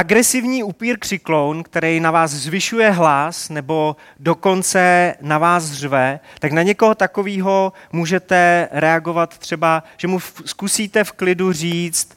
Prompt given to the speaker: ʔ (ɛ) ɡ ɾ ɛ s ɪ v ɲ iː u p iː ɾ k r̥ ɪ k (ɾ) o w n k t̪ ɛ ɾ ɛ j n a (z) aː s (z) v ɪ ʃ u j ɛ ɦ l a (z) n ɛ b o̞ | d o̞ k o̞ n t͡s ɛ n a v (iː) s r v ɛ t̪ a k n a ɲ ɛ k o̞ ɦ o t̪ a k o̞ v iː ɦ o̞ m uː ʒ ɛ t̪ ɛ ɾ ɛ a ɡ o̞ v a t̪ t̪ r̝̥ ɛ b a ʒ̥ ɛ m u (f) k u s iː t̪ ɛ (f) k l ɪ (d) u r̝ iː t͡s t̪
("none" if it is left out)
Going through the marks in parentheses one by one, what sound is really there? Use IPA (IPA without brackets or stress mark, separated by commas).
a, l, v, z, s, aː, s, f, d